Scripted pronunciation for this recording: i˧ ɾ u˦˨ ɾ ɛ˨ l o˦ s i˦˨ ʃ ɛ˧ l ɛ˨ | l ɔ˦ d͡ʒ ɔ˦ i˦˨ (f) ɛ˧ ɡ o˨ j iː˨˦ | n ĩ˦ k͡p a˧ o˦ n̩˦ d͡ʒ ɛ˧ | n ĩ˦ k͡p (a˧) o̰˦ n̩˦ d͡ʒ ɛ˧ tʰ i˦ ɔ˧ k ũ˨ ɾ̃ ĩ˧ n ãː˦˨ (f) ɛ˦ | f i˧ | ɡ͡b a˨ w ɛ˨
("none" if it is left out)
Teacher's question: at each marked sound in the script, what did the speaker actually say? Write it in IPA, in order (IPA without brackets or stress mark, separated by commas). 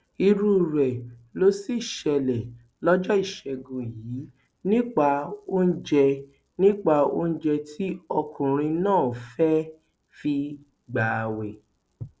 ʃ, a˧, f